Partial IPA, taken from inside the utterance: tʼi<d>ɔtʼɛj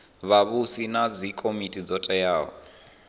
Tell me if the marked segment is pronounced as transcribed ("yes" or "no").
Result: no